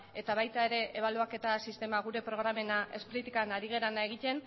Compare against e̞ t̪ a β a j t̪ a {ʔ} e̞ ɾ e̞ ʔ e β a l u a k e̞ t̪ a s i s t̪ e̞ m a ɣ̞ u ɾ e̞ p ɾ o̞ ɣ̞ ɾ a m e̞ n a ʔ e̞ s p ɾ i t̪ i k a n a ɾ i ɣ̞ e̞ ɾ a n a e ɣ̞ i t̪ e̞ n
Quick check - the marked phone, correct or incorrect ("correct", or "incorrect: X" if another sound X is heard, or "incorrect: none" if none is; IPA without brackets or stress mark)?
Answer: incorrect: none